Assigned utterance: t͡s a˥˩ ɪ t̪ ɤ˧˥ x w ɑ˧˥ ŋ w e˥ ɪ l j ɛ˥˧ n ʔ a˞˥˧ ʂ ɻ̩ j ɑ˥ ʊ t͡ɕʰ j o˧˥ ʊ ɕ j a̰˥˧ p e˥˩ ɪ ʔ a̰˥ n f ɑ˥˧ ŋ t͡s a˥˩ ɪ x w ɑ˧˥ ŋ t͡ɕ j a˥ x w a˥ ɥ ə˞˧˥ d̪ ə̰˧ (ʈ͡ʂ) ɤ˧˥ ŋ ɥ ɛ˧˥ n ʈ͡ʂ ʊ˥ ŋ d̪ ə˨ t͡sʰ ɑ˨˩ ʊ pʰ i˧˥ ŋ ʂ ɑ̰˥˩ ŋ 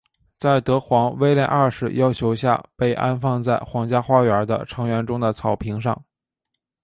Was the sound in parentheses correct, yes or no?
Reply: no